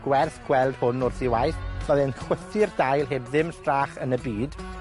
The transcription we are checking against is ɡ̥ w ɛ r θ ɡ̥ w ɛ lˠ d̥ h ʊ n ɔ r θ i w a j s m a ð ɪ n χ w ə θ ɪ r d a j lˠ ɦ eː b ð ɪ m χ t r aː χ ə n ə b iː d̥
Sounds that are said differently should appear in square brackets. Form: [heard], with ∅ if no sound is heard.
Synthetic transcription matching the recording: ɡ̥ w ɛ r θ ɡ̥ w ɛ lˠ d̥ h ʊ n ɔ r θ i w a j [θ] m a ð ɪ n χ w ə θ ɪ r d a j lˠ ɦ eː b ð ɪ m [s] t r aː χ ə n ə b iː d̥